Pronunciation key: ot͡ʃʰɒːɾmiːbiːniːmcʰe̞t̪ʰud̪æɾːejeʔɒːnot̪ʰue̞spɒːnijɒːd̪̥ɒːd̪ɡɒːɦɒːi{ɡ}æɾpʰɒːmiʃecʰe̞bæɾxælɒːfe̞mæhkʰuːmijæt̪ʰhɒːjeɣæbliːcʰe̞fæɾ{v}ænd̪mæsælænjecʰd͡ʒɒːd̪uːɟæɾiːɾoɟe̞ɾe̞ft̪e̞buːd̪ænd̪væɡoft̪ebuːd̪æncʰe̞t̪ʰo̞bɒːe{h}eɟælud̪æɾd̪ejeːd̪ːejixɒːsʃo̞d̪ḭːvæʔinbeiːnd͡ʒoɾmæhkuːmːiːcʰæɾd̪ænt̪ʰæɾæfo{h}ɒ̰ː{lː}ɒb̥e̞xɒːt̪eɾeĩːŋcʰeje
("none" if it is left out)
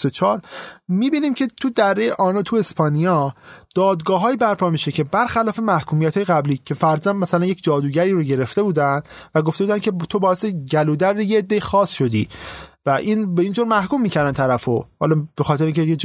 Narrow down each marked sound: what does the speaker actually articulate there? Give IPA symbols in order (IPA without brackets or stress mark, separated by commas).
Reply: b, z, s, h, l